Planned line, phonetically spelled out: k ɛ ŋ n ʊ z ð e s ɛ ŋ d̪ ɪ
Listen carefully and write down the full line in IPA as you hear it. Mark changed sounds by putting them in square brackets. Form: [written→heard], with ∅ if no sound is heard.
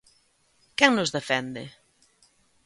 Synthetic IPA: k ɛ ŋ n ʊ z ð e [s→f] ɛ [ŋ→n] d̪ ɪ